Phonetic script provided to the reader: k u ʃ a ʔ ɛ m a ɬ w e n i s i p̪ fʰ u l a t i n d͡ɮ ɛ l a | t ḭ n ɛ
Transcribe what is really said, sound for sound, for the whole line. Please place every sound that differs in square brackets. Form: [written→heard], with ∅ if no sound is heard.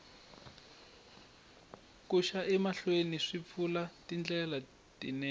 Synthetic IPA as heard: k u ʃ a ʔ ɛ m a ɬ w e n i [s→ʂ] i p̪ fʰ u l a t i n d͡ɮ ɛ l a | t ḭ n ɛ